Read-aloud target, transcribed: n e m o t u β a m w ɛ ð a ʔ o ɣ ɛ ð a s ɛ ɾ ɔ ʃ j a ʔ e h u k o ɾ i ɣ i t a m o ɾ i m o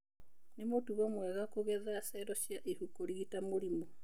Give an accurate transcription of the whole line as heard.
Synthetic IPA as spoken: n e m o t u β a m w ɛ ɣ a k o ɣ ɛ ð a s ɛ ɾ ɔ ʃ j a ʔ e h u k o ɾ i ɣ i t a m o ɾ i m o